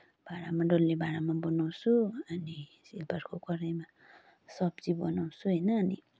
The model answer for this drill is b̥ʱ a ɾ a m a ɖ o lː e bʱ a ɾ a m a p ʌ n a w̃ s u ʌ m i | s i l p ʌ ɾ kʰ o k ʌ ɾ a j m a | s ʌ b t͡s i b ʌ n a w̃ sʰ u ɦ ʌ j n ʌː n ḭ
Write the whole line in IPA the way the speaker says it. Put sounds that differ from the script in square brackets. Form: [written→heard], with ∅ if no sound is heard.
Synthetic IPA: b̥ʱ a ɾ a m a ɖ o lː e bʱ a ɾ a m a [p→b] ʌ n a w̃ s u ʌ [m→n] i | s i l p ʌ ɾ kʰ o k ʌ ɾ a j m a | s ʌ b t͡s i b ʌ n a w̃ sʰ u ɦ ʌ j n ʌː n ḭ